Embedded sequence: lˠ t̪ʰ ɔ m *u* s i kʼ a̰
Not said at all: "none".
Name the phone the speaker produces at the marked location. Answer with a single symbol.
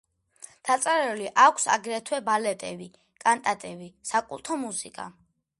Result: u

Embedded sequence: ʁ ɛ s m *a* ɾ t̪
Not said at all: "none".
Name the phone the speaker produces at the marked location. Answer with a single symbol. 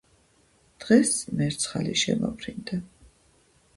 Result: ɛ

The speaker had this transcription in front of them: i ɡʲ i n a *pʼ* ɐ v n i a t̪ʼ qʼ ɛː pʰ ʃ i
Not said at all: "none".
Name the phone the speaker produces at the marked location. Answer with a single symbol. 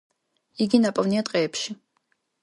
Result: pʼ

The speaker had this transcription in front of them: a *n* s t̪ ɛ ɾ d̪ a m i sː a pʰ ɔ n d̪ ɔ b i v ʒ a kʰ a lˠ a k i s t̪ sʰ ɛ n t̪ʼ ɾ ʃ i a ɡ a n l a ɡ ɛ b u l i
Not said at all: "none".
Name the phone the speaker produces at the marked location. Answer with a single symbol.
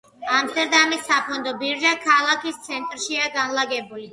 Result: m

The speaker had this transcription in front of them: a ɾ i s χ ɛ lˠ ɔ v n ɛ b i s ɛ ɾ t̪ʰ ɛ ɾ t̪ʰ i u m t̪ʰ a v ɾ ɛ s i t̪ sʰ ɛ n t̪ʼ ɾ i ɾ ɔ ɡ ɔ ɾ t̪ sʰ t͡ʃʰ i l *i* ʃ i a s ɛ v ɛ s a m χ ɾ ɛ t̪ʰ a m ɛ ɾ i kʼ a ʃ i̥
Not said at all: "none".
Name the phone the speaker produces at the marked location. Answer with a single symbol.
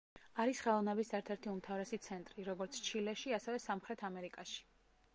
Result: ɛ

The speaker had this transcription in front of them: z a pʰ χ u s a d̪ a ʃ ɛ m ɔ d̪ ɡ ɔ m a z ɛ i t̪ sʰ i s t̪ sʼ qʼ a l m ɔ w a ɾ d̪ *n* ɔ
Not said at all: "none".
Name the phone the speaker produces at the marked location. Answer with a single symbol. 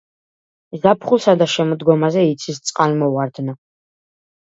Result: n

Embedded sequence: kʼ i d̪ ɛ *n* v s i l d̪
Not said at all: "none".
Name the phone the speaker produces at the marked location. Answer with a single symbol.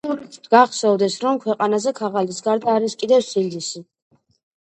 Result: none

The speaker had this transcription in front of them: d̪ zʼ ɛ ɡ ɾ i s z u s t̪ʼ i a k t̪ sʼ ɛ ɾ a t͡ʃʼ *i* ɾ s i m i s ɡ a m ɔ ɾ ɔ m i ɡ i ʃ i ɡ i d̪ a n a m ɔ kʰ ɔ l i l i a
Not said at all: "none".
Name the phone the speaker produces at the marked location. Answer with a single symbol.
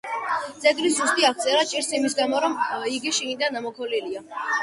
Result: i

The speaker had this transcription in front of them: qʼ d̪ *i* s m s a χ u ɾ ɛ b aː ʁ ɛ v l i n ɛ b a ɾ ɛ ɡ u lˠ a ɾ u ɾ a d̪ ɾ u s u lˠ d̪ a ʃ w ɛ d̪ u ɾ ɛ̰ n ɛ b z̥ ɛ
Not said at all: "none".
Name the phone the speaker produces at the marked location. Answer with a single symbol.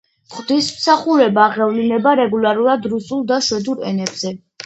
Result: i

